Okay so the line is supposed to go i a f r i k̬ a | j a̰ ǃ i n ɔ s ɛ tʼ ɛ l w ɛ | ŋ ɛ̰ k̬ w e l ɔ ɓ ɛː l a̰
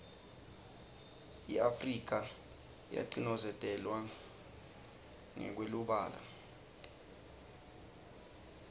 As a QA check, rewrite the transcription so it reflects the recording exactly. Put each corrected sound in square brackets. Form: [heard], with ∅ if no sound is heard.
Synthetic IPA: i a f r i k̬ a | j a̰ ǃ i n ɔ [z] ɛ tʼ ɛ l w [a] | ŋ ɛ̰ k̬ w e l [u] ɓ [aː] l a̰

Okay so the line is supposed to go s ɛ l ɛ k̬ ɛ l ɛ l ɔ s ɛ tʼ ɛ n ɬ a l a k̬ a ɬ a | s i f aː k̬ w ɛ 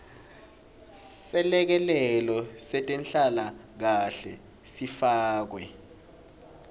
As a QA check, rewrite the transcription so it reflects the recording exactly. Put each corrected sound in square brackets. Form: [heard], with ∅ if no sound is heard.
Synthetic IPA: s ɛ l ɛ k̬ ɛ l ɛ l ɔ s ɛ tʼ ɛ n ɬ a l a k̬ a ɬ [ɛ] | s i f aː k̬ w ɛ

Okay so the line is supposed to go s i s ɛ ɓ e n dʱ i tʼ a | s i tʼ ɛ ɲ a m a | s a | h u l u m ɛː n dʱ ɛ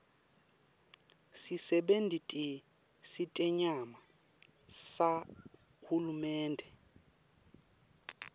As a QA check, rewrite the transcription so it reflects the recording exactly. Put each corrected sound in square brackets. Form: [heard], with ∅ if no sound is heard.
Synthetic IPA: s i s ɛ ɓ e n dʱ i tʼ [i] | s i tʼ ɛ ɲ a m a | s a | h u l u m ɛː n dʱ ɛ

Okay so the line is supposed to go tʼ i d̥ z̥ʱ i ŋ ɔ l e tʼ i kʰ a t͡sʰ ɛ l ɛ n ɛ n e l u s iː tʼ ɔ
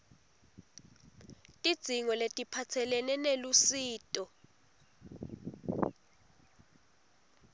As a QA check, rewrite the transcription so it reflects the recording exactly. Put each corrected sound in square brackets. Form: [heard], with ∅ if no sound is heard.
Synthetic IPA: tʼ i d̥ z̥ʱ i ŋ ɔ l e tʼ i [pʰ] a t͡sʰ ɛ l ɛ n ɛ n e l u s iː tʼ ɔ

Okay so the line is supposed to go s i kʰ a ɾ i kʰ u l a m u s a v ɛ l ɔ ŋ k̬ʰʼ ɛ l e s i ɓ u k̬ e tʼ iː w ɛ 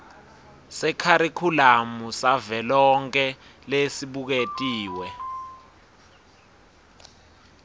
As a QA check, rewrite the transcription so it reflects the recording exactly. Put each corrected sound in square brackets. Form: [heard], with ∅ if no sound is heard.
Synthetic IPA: s [ɛ] kʰ a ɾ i kʰ u l a m u s a v ɛ l ɔ ŋ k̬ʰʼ ɛ l e s i ɓ u k̬ e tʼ iː w ɛ

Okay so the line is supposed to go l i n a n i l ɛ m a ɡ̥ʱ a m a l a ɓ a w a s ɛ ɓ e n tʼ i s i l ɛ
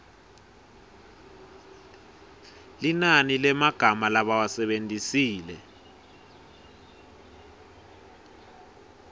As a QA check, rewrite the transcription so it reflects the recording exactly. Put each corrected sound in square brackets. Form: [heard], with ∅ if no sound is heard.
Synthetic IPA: l i n a n i l ɛ m a ɡ̥ʱ a m a l a ɓ a w a s ɛ ɓ e n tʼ i s [iː] l ɛ

